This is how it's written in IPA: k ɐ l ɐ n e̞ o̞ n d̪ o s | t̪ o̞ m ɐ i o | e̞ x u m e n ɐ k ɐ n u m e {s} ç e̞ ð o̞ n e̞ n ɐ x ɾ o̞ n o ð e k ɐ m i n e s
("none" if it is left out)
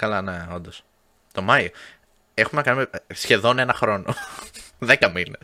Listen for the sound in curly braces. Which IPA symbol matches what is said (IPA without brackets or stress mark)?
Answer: s